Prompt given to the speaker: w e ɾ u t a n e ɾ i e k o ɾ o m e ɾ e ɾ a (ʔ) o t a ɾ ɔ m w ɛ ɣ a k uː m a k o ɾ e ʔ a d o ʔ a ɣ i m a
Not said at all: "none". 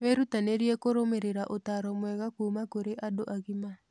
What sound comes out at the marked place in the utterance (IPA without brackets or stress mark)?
ʔ